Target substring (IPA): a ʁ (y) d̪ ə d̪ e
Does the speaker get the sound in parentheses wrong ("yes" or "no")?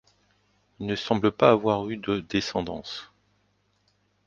no